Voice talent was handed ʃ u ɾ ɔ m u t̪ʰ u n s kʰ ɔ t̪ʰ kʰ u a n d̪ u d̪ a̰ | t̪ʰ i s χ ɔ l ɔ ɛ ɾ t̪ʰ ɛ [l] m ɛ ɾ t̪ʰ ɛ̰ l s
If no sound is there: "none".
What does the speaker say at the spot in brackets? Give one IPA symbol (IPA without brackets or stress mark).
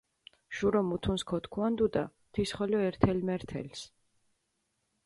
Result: l